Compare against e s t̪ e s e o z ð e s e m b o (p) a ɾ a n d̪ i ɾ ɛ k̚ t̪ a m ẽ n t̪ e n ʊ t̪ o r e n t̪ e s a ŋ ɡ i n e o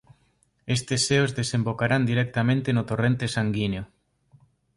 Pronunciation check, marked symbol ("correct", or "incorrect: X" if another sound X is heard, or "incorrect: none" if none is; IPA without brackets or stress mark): incorrect: k